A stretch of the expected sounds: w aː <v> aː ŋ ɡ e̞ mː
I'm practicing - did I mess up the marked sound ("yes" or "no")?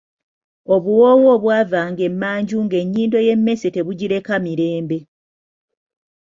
no